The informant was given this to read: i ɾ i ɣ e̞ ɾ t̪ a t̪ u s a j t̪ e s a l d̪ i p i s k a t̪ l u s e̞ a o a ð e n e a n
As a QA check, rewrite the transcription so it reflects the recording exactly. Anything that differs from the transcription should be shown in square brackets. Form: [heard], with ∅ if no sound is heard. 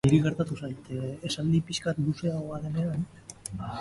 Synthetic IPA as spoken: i ɾ i ɣ e̞ ɾ t̪ a t̪ u s a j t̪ e s a l d̪ i p i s k a t̪ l u s e̞ a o a ð e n e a n